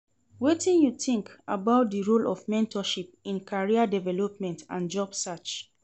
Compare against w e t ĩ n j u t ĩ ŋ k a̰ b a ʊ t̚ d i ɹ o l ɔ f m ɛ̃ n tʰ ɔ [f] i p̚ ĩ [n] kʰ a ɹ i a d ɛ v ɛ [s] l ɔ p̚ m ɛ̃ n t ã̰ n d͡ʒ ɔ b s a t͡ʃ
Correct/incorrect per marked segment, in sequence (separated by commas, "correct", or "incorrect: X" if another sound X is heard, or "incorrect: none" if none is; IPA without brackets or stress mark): incorrect: ʃ, correct, incorrect: none